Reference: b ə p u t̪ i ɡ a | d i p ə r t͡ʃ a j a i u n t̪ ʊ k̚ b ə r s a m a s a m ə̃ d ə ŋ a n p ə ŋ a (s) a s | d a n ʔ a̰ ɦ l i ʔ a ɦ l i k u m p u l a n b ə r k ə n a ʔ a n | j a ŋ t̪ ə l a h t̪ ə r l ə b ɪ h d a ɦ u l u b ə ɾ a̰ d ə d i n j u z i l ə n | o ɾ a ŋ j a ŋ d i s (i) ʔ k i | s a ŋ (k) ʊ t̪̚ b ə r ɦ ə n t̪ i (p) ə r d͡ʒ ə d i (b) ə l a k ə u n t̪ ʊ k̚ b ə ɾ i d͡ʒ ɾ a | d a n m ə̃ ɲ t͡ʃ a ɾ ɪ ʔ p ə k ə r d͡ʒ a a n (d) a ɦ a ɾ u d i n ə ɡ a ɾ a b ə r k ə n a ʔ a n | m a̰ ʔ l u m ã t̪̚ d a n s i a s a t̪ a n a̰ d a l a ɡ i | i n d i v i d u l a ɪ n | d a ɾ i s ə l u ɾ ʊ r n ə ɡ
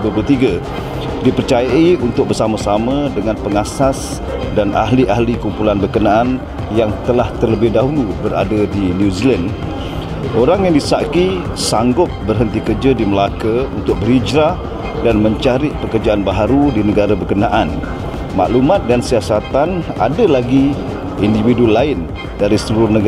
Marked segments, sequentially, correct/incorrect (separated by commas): correct, incorrect, incorrect, incorrect, incorrect, incorrect